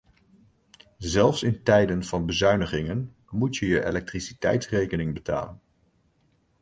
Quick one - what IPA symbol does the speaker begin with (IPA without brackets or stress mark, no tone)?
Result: z